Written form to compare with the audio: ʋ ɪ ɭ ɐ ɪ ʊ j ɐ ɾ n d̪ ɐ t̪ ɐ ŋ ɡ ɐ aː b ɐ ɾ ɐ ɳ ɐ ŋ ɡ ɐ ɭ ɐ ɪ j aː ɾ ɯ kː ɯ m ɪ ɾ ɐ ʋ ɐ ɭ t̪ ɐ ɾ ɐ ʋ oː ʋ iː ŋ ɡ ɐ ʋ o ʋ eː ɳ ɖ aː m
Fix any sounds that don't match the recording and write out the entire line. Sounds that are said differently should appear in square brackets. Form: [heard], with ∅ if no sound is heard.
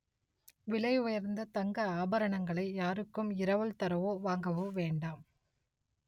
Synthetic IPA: ʋ ɪ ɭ ɐ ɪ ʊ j ɐ ɾ n d̪ ɐ t̪ ɐ ŋ ɡ ɐ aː b ɐ ɾ ɐ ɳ ɐ ŋ ɡ ɐ ɭ ɐ ɪ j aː ɾ ɯ kː ɯ m ɪ ɾ ɐ ʋ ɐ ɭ t̪ ɐ ɾ ɐ ʋ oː ʋ [aː] ŋ ɡ ɐ ʋ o ʋ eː ɳ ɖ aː m